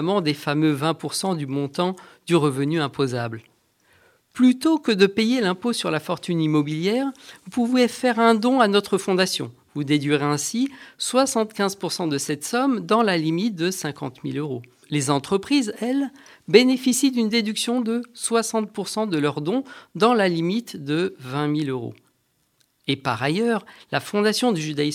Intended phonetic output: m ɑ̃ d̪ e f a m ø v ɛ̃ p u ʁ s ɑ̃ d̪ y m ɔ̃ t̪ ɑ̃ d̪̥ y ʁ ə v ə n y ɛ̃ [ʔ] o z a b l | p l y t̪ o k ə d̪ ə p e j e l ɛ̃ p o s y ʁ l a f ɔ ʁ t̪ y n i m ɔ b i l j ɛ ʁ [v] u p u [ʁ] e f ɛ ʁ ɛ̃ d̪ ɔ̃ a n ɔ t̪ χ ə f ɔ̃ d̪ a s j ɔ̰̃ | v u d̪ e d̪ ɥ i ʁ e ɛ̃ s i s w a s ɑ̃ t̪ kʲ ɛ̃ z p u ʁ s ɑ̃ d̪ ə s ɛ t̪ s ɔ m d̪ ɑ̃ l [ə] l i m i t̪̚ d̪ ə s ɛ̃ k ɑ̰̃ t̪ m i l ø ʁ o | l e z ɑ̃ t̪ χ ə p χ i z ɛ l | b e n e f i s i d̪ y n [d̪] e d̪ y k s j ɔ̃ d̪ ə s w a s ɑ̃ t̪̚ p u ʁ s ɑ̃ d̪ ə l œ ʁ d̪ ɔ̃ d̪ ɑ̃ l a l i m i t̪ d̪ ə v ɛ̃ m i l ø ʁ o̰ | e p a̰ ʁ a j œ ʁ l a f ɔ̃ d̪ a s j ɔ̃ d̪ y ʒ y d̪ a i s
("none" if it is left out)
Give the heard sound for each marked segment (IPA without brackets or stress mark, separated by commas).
p, v, v, a, d̪